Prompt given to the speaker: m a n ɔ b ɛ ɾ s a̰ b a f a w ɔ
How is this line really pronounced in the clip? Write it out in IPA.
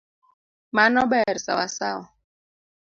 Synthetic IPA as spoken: m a n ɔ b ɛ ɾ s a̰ w a s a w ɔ